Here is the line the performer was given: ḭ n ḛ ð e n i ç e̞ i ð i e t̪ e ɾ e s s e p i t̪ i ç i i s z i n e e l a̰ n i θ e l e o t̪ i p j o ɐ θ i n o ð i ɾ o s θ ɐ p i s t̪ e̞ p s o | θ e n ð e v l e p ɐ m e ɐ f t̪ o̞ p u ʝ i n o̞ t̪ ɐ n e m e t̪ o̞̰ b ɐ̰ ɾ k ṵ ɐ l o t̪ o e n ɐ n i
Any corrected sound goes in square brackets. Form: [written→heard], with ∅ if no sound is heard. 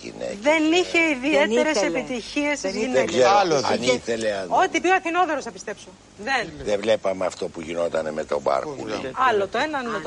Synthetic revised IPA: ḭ n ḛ ð e n i ç e̞ i ð i e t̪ e ɾ e s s e p i t̪ i ç i [i→e] s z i n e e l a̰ n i θ e l e o t̪ i p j o ɐ θ i n o ð [i→e] ɾ o s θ ɐ p i s t̪ e̞ p s o | [θ→ð] e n ð e v l e p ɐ m e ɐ f t̪ o̞ p u ʝ i n o̞ t̪ ɐ n e m e t̪ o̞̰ b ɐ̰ ɾ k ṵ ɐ l o t̪ o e n ɐ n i